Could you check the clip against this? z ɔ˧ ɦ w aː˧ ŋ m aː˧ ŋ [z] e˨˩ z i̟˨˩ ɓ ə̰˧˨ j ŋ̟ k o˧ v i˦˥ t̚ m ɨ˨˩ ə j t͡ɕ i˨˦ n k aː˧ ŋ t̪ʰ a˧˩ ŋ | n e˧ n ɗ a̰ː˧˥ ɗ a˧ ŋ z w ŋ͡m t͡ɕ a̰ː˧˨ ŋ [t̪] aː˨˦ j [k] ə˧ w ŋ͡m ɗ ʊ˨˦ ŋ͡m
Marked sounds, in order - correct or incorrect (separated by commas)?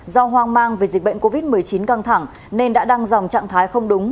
incorrect, incorrect, incorrect